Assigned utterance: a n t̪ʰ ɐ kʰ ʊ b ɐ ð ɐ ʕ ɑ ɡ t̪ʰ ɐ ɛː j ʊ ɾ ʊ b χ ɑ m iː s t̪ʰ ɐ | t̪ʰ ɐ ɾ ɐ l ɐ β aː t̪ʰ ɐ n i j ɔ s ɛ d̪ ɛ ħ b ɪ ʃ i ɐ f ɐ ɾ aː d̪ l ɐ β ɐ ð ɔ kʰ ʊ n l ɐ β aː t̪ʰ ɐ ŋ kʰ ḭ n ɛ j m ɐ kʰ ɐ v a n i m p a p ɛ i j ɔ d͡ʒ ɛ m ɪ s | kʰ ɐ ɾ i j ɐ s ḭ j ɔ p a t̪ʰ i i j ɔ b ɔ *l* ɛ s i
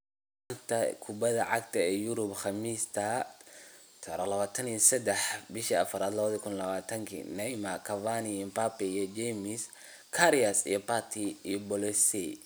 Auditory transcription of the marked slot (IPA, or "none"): l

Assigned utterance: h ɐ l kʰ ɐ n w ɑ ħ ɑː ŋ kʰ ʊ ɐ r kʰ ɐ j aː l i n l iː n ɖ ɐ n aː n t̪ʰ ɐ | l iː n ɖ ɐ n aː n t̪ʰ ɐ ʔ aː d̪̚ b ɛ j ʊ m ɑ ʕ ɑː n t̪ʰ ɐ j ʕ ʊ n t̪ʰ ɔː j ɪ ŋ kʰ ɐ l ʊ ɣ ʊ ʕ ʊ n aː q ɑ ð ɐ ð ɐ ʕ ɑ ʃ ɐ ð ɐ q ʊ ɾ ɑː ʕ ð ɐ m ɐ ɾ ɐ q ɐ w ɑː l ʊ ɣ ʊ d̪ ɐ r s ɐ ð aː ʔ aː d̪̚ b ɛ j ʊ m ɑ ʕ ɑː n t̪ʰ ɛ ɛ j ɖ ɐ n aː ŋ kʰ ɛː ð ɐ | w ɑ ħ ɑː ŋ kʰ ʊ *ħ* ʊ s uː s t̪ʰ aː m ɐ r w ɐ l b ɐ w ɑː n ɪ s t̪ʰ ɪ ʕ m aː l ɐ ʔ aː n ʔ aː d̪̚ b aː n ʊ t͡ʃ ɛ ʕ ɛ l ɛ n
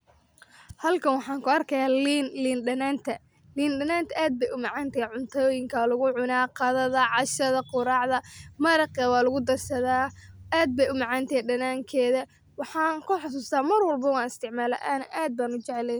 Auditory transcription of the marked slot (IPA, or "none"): ħ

